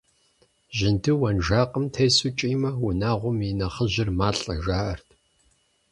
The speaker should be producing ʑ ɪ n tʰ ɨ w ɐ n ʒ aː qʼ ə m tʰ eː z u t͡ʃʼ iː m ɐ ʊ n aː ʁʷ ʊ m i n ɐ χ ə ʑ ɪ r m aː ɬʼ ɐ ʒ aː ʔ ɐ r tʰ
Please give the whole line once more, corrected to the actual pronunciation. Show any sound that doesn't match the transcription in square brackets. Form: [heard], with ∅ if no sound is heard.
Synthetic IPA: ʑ ɪ n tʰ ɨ w ɐ n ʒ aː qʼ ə m tʰ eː [s] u t͡ʃʼ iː m ɐ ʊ n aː ʁʷ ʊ m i n ɐ χ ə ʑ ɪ r m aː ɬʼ ɐ ʒ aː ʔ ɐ r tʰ